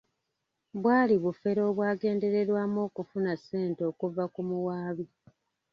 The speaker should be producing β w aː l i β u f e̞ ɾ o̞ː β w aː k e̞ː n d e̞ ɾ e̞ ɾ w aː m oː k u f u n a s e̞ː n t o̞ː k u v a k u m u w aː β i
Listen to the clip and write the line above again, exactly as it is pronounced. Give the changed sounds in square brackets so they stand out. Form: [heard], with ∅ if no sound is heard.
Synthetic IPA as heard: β w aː l i β u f e̞ ɾ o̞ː β w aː [ɡ] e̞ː n d e̞ ɾ e̞ ɾ w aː m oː k u f u n a s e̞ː n t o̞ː k u v a k u m u w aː β i